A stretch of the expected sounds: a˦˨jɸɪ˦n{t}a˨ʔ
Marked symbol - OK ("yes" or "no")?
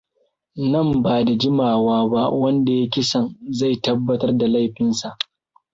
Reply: no